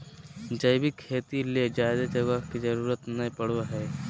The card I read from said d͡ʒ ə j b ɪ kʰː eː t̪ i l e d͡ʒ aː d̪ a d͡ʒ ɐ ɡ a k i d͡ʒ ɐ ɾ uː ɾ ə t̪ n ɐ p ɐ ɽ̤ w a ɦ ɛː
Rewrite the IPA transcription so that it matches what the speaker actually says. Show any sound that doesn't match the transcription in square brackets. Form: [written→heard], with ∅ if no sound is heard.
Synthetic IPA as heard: d͡ʒ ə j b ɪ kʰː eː t̪ i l e d͡ʒ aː d̪ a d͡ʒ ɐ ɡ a k i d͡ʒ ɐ ɾ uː ɾ ə t̪ n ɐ p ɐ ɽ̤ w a ɦ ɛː